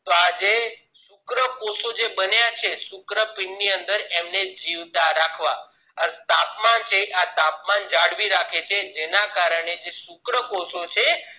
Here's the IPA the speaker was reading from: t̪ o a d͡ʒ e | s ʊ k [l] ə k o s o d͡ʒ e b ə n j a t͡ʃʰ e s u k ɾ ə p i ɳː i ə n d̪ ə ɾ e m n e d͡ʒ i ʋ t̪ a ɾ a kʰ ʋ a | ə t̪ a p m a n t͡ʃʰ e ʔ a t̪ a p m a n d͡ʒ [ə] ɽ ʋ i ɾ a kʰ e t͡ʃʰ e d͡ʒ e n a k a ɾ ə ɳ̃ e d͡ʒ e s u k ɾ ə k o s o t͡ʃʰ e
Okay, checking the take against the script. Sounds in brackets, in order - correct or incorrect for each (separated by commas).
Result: incorrect, incorrect